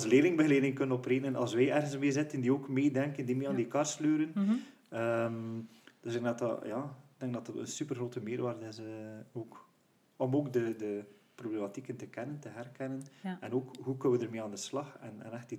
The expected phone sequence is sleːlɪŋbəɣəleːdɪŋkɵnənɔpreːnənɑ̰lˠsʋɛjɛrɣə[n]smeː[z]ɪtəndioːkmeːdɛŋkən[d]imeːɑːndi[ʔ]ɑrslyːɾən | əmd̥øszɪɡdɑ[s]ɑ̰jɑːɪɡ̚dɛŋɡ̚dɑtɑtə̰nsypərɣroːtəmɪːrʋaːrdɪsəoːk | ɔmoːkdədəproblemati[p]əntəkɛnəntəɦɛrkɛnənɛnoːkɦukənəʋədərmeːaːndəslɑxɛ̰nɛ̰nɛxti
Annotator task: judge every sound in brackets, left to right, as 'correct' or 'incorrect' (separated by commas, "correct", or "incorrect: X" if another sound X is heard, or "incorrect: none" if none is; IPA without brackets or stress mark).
correct, correct, correct, incorrect: k, incorrect: t, incorrect: k